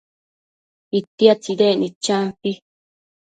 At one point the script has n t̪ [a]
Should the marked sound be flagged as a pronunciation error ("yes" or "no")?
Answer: yes